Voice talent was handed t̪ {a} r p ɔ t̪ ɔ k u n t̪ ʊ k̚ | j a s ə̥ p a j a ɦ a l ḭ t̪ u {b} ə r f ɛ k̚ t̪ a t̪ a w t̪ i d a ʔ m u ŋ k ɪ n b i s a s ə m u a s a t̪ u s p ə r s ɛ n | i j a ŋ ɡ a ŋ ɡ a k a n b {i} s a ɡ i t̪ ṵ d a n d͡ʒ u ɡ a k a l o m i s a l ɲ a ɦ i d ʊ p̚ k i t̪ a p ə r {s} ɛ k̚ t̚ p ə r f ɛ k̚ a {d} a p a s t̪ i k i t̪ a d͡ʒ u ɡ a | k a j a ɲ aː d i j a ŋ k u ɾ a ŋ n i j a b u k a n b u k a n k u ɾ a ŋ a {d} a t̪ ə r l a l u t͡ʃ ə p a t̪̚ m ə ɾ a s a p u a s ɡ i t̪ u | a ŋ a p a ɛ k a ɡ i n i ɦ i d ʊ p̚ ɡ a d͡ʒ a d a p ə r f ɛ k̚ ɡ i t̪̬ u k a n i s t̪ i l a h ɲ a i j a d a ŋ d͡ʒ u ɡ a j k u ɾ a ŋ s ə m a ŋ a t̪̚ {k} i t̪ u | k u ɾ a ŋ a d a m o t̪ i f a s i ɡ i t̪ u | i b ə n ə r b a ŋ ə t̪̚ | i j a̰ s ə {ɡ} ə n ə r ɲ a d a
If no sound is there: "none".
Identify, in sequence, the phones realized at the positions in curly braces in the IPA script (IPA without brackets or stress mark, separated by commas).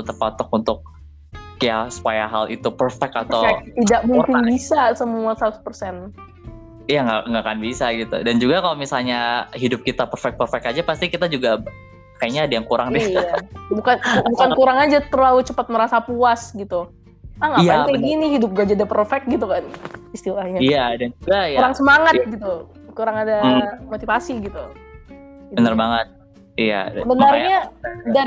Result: ə, p, i, f, d͡ʒ, d͡ʒ, ɡ, b